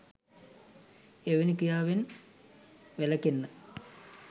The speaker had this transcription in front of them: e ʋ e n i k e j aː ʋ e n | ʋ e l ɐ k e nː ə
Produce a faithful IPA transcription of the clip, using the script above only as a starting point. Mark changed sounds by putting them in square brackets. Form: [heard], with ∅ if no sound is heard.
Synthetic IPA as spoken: e ʋ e n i k [i] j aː ʋ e n | ʋ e l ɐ k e nː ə